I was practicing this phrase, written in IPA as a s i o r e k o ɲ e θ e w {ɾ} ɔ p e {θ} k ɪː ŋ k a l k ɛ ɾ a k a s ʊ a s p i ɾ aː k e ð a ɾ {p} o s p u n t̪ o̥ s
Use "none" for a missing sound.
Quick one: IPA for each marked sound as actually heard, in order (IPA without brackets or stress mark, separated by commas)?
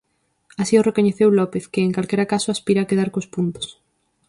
l, θ, k